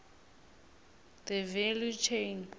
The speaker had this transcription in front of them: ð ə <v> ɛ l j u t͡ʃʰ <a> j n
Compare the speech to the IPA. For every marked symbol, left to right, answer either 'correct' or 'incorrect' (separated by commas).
correct, incorrect